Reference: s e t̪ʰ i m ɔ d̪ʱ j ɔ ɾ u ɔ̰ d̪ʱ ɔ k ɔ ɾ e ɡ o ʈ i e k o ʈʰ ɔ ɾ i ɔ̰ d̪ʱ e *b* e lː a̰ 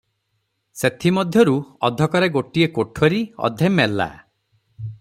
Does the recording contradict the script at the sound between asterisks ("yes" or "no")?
yes